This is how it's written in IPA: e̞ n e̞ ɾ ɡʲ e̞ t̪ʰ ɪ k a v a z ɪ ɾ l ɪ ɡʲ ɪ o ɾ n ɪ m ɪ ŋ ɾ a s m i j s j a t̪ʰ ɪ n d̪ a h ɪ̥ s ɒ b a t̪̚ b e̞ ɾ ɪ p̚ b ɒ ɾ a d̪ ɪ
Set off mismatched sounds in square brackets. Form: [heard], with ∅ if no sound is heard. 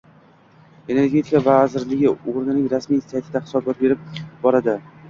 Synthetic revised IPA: e̞ n e̞ ɾ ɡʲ e̞ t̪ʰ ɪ k a v a z ɪ ɾ l ɪ ɡʲ ɪ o ɾ n ɪ [n] ɪ ŋ ɾ a s m i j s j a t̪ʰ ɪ [∅] d̪ a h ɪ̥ s ɒ b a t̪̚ b e̞ ɾ ɪ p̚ b ɒ ɾ a d̪ ɪ